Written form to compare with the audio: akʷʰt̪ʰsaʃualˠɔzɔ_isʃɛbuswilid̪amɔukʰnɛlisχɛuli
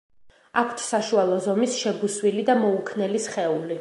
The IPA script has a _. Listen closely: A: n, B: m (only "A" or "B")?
B